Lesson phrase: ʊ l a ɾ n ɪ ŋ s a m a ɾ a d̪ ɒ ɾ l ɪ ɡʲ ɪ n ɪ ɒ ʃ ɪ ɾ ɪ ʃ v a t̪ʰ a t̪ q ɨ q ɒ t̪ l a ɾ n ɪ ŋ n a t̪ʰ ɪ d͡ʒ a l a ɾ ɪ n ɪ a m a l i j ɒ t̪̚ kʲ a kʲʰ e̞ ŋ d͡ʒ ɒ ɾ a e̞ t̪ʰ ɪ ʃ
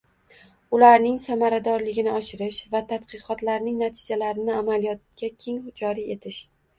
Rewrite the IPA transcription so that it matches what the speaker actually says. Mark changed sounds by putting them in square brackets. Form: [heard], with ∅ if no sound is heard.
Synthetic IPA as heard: ʊ l a ɾ n ɪ ŋ s a m a ɾ a d̪ ɒ ɾ l ɪ ɡʲ ɪ n ɪ ɒ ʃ ɪ ɾ ɪ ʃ v a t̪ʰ a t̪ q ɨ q ɒ t̪ l a ɾ n ɪ ŋ n a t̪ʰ ɪ d͡ʒ a l a ɾ ɪ n ɪ a m a l i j ɒ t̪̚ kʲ a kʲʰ e̞ ŋ d͡ʒ ɒ ɾ [i] e̞ t̪ʰ ɪ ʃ